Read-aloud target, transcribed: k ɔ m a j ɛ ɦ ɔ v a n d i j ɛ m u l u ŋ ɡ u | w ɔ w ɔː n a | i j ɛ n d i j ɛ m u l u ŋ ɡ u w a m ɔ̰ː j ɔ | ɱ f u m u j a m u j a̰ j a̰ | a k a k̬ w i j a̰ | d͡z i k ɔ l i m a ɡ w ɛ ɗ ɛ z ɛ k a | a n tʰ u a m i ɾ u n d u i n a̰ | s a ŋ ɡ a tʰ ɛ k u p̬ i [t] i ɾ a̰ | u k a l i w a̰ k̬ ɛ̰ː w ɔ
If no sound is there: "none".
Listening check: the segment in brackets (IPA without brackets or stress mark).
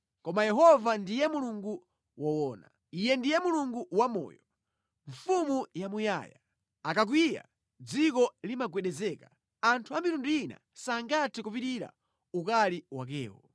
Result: t